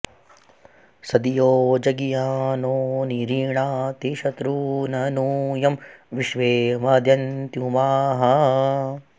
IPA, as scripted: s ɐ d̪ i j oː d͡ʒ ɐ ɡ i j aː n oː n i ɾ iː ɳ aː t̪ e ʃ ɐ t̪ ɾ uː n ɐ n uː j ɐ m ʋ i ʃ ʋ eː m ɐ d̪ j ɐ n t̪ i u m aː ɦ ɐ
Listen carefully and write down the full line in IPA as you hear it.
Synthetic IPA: s ɐ d̪ i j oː d͡ʒ ɐ ɡ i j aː n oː n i ɾ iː ɳ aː t̪ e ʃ ɐ t̪ ɾ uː n ɐ n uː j ɐ m ʋ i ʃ ʋ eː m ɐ d̪ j ɐ n t̪ j u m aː ɦ ɐ